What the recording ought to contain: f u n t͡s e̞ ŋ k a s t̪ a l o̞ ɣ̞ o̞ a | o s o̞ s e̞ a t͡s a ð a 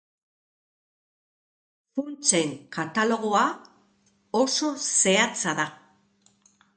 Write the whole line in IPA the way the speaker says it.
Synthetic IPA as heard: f u n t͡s e̞ ŋ k a t̪ a l o̞ ɣ̞ o̞ a | o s o̞ s e̞ a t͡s a ð a